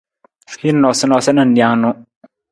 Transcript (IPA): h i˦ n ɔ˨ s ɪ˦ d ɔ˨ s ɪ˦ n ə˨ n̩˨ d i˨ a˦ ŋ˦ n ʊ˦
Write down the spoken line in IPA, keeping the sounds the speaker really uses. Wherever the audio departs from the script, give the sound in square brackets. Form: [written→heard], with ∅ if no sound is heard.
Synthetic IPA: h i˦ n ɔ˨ s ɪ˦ [d→n] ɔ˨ s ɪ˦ n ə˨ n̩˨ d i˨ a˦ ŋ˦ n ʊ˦